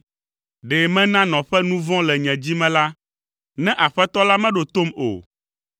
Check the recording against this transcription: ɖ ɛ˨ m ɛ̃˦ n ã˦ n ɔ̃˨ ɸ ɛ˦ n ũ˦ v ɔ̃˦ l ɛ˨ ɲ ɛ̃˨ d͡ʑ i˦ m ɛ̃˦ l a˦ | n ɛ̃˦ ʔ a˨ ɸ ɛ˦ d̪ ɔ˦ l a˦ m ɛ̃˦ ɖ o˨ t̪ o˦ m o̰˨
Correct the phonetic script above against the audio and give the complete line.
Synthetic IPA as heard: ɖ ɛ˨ m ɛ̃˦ n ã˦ n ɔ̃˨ ɸ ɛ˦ n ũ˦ v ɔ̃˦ l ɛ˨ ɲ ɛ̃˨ d͡ʑ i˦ m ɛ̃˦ l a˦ | n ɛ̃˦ ʔ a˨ ɸ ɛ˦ t̪ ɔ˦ l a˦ m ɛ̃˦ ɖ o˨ t̪ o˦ m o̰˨